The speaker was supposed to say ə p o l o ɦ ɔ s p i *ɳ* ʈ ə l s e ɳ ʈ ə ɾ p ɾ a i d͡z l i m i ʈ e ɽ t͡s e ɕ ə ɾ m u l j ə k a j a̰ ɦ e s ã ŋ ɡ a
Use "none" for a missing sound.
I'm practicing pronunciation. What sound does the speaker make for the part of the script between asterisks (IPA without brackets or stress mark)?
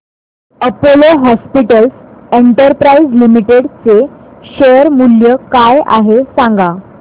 none